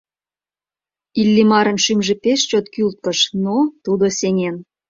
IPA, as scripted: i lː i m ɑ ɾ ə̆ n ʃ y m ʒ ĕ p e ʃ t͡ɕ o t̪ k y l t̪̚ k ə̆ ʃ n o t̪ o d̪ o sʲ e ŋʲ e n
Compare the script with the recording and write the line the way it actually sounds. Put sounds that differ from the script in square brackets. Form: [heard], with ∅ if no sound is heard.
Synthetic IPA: i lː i m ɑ ɾ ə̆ n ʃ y m ʒ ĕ p e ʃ t͡ɕ o t̪ k y l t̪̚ k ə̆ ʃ n o t̪ [u] d̪ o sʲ e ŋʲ e n